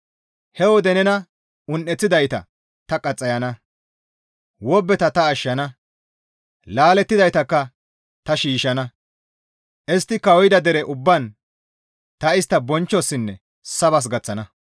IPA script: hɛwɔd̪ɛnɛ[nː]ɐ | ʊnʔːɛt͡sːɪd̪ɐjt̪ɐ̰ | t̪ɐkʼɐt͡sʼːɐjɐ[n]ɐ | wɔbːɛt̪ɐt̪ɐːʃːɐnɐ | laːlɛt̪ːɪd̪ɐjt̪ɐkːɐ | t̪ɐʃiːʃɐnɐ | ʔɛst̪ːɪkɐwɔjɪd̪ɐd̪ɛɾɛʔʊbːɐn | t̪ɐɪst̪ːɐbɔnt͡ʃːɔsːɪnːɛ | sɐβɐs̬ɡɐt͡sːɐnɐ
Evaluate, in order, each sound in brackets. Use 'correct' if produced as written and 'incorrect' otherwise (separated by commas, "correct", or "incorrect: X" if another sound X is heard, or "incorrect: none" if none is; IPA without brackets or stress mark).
incorrect: n, correct